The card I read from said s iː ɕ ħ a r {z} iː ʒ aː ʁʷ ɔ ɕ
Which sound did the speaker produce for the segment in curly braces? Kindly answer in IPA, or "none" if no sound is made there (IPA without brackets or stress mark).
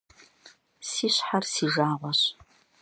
s